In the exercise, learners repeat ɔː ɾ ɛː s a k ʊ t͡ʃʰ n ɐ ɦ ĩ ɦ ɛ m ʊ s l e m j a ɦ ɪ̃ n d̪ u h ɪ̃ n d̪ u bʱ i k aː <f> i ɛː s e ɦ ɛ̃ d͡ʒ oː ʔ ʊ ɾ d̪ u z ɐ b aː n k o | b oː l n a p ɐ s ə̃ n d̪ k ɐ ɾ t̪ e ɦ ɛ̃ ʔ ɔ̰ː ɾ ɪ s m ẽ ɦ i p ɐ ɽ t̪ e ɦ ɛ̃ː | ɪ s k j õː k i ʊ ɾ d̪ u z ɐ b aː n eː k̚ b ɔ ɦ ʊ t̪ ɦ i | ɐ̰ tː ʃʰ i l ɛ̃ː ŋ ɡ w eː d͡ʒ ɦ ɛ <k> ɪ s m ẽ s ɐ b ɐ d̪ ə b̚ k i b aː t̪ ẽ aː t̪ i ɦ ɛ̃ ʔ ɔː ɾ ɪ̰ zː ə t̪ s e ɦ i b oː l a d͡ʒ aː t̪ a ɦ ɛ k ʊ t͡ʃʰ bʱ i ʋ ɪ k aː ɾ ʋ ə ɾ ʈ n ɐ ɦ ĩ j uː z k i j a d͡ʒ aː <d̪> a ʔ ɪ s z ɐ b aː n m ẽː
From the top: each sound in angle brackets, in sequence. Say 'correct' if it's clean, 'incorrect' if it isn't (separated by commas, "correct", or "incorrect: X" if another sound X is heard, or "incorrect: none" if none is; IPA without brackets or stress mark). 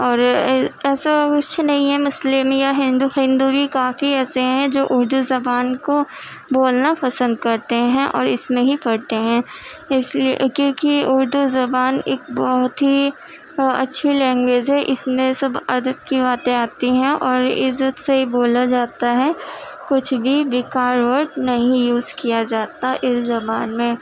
correct, incorrect: ʔ, incorrect: t̪